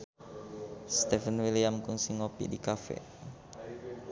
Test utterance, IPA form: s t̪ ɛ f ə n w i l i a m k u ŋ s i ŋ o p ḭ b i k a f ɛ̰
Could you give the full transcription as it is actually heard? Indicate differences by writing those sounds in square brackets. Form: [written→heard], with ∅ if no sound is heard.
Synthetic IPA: s t̪ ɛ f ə n w i l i a m k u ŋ s i ŋ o p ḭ [b→d] i k a f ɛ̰